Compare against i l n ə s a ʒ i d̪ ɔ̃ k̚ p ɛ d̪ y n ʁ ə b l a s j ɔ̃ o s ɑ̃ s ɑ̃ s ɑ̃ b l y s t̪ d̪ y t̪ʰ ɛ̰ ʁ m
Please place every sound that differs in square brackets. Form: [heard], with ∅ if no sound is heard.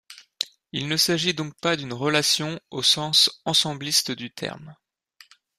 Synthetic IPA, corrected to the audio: i l n ə s a ʒ i d̪ ɔ̃ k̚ p [a] d̪ y n ʁ ə [∅] l a s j ɔ̃ o s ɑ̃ s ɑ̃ s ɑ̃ b l [i] s t̪ d̪ y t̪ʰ ɛ̰ ʁ m